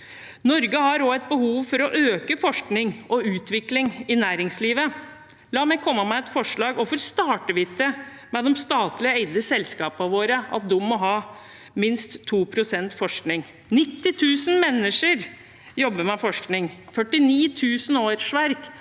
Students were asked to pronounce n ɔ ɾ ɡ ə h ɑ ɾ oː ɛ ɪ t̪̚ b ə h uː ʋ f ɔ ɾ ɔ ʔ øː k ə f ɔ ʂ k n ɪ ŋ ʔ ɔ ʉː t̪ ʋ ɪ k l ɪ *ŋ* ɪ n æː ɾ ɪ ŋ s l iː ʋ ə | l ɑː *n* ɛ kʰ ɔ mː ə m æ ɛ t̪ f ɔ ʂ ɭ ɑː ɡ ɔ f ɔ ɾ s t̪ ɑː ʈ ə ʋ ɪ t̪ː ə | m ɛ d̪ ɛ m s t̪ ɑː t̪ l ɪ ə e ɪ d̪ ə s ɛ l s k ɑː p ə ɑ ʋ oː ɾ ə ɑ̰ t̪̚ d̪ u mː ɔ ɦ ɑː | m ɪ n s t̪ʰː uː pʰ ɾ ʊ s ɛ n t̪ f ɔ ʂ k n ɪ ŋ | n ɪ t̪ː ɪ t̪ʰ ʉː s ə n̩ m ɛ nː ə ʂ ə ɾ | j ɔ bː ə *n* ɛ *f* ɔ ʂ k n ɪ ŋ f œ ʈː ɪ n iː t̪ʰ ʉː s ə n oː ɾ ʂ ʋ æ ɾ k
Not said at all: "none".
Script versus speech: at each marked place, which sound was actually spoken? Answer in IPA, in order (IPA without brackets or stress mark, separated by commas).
ŋ, m, m, f